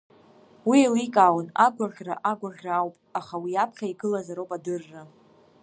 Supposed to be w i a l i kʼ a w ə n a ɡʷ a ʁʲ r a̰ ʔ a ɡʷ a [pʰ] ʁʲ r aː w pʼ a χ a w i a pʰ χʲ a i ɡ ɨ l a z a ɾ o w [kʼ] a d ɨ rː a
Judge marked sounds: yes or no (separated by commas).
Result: no, no